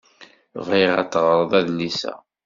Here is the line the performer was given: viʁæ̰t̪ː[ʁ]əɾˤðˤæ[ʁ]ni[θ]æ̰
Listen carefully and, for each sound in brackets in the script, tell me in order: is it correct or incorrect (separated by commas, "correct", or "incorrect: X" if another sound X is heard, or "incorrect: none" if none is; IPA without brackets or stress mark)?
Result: correct, incorrect: ð, incorrect: s